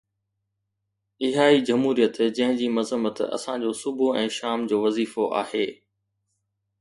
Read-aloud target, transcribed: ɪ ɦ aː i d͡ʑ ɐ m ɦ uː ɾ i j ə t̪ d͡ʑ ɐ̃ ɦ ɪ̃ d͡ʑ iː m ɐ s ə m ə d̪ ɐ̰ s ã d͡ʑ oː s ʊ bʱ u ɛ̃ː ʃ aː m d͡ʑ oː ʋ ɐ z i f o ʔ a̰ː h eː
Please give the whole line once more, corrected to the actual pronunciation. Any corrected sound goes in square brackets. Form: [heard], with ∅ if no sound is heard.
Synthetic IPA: ɪ ɦ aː i d͡ʑ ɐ m ɦ uː ɾ i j ə t̪ d͡ʑ ɐ̃ ɦ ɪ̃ d͡ʑ iː m ɐ [z] ə m ə [t̪] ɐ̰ s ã d͡ʑ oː s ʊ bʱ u ɛ̃ː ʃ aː m d͡ʑ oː ʋ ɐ z [iː] f o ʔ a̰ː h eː